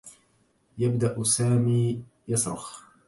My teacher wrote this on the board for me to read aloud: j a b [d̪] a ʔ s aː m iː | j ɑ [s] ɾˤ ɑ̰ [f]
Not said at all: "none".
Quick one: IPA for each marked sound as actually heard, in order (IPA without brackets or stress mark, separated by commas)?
d̪, s, x